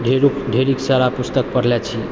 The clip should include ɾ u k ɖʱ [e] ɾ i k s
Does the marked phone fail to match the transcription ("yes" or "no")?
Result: no